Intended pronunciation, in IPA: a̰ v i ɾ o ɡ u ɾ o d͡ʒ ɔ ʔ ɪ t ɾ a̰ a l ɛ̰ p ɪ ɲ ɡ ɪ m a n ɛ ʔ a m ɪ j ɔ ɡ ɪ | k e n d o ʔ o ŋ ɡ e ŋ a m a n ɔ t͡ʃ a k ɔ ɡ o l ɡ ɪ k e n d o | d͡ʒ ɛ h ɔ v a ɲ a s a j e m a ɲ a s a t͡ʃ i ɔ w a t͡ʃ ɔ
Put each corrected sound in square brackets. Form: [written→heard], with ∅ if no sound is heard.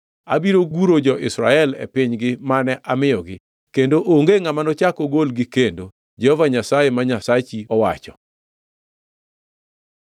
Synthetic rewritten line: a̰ [v→b] i ɾ o ɡ u ɾ o d͡ʒ ɔ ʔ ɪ [t→s] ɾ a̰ [a→ɛ] l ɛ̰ p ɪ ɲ ɡ ɪ m a n ɛ ʔ a m ɪ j ɔ ɡ ɪ | k e n d o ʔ o ŋ ɡ e ŋ a m a n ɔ t͡ʃ a k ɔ ɡ o l ɡ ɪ k e n d o | d͡ʒ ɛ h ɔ v a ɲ a s a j e m a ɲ a s a t͡ʃ i ɔ w a t͡ʃ ɔ